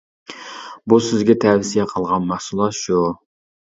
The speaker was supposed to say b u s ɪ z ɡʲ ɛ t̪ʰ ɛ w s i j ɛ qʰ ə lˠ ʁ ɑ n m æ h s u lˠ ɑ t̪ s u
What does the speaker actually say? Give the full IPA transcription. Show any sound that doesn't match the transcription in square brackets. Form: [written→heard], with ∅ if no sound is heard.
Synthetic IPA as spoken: b u s ɪ z ɡʲ ɛ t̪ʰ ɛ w s i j ɛ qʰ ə lˠ ʁ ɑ n m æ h s u lˠ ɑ t̪ [s→ʃ] u